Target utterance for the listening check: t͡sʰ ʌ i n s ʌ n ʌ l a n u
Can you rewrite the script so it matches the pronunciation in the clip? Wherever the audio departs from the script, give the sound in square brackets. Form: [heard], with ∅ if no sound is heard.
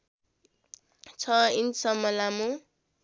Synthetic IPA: t͡sʰ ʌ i n s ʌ [m] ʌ l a [m] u